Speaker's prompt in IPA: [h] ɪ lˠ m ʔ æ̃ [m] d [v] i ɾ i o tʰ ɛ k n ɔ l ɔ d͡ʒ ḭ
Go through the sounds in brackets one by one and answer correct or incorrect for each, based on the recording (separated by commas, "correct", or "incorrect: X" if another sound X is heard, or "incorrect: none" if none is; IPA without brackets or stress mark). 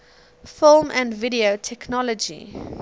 incorrect: f, incorrect: n, correct